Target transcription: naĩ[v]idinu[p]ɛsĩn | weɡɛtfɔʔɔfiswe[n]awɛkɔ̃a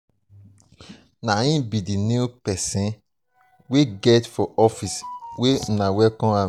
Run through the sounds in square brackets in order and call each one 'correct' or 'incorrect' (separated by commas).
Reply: incorrect, correct, correct